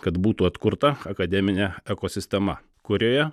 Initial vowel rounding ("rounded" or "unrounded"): unrounded